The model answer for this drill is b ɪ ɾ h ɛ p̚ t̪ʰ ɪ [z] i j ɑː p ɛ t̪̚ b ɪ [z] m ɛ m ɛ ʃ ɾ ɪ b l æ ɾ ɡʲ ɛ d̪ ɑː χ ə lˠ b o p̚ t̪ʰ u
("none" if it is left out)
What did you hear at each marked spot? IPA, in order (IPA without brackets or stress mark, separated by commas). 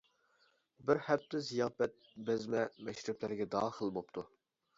z, z